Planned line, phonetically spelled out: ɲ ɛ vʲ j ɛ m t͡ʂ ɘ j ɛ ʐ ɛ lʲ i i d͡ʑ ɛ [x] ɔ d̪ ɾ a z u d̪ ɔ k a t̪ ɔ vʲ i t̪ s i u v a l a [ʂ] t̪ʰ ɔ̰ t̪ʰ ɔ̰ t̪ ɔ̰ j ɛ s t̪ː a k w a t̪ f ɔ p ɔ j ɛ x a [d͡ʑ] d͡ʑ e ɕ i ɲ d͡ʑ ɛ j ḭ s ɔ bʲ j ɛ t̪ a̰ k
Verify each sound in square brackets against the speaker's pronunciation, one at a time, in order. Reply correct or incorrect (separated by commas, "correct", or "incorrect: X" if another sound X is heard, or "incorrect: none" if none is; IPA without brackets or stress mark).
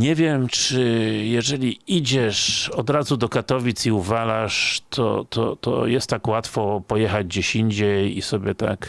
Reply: incorrect: ʂ, correct, correct